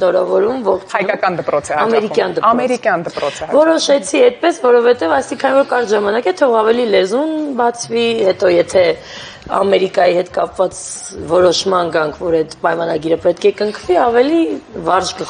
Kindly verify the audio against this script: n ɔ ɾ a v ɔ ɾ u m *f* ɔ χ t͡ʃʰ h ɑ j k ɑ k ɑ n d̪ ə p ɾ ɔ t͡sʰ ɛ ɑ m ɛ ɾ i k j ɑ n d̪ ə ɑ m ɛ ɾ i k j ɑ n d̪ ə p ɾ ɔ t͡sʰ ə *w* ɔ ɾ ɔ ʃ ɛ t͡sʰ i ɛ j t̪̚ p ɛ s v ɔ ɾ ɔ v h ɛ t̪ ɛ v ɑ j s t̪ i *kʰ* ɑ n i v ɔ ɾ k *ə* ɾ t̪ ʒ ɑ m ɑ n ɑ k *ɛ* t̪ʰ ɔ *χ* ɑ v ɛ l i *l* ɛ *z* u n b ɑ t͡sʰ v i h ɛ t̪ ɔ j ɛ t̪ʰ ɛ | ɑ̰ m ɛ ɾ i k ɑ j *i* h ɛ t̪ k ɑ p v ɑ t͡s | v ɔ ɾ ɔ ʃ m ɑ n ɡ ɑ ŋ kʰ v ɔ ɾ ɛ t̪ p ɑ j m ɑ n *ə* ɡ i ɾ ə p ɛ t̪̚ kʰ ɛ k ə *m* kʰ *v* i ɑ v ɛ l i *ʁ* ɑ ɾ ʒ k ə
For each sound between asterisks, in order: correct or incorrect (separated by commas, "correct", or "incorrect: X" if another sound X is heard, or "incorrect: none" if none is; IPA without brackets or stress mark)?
incorrect: v, incorrect: v, correct, incorrect: ɑ, correct, incorrect: ʁ, correct, correct, correct, incorrect: ɑ, incorrect: ŋ, correct, incorrect: v